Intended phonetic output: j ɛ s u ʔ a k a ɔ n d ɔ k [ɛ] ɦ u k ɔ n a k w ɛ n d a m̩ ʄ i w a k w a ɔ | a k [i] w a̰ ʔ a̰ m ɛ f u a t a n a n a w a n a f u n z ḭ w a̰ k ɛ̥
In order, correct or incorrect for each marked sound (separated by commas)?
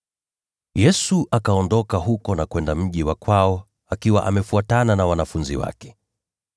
incorrect, correct